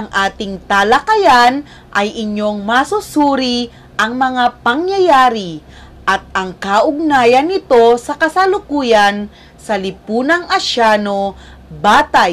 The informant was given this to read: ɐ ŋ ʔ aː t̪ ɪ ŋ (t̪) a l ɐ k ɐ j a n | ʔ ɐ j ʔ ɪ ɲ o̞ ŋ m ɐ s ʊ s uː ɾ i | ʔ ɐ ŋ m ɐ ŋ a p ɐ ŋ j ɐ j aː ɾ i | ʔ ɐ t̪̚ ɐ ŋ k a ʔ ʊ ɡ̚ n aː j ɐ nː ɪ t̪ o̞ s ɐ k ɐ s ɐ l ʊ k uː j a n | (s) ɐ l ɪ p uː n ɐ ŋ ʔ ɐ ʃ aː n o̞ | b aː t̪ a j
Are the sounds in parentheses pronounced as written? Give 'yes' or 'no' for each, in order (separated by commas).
yes, yes